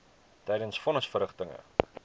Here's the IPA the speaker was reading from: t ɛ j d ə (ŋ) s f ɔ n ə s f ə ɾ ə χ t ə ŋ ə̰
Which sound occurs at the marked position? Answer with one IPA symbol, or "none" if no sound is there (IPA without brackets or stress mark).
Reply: n